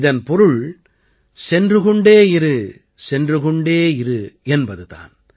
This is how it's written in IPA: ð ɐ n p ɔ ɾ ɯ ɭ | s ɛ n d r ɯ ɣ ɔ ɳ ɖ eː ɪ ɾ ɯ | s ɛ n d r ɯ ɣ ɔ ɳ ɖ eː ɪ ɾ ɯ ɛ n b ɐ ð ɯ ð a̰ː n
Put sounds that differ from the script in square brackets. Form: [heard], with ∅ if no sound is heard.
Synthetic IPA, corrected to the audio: ð ɐ n p ɔ ɾ ɯ ɭ | s ɛ n d r ɯ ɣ ɔ ɳ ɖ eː ɪ ɾ ɯ | s ɛ n d r ɯ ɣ ɔ ɳ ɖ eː ɪ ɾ ɯ ɛ n b ɐ ð ɯ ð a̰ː n